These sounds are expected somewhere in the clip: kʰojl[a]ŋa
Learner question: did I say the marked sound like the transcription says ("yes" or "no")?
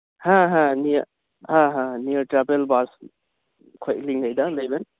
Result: no